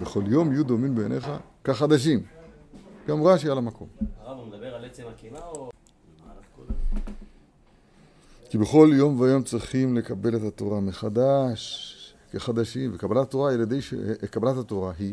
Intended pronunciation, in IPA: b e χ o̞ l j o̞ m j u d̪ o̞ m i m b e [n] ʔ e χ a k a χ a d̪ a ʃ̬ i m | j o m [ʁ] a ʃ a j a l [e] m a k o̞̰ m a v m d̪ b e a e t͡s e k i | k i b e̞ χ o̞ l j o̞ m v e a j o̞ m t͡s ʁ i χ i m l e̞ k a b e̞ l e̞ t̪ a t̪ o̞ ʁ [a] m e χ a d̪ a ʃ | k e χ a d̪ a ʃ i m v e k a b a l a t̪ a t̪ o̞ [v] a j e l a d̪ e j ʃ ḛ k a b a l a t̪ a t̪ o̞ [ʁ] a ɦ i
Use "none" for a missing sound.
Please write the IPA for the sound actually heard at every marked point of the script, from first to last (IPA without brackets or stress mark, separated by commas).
n, ʁ, a, a, ʁ, ʁ